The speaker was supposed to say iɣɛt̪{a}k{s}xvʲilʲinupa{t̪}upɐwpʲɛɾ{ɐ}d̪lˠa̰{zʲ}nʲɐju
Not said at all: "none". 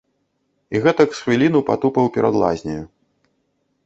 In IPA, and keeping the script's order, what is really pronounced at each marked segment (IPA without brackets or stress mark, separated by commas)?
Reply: ɐ, s, t̪, a, zʲ